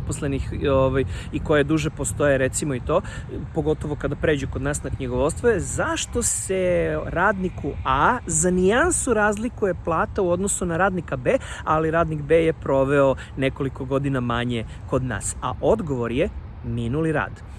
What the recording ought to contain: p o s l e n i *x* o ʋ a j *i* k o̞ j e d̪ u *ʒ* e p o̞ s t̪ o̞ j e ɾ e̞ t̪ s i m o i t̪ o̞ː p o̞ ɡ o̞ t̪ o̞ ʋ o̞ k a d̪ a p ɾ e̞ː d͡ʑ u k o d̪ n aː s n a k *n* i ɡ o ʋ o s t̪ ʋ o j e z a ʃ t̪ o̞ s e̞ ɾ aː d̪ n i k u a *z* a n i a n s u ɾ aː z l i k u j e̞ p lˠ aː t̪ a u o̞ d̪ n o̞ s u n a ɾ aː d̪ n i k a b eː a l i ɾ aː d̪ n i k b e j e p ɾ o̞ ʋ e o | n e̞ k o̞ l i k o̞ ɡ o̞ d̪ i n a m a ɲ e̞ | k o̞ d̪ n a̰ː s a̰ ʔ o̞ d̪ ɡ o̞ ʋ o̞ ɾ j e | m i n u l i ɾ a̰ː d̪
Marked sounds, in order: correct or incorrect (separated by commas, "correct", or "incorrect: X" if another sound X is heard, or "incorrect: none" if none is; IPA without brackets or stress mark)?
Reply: correct, correct, correct, incorrect: ɲ, correct